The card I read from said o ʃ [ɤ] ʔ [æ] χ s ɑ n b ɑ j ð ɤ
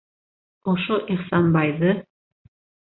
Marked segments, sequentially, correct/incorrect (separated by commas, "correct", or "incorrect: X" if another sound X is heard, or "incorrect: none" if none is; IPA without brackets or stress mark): incorrect: o, incorrect: i